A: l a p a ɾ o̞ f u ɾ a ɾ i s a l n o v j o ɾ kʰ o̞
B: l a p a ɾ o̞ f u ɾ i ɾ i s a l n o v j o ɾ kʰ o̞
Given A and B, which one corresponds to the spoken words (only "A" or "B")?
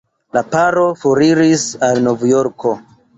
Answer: B